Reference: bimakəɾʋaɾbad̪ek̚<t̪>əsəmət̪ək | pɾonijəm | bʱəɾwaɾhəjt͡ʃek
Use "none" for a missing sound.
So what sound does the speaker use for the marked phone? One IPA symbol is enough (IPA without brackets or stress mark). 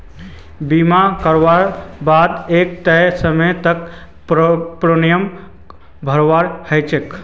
t̪